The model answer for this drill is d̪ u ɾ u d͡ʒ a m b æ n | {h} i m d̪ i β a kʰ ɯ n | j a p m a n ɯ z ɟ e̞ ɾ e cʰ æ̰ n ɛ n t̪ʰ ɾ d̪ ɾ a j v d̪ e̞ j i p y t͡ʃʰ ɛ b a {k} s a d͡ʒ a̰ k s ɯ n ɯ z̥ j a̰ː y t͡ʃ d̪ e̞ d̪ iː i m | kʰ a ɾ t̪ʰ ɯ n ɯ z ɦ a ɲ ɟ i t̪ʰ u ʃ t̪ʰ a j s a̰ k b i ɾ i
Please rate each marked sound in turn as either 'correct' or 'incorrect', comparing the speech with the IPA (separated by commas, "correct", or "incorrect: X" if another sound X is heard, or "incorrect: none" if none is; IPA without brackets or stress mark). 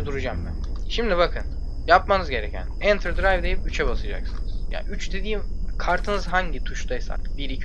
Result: incorrect: ʃ, incorrect: none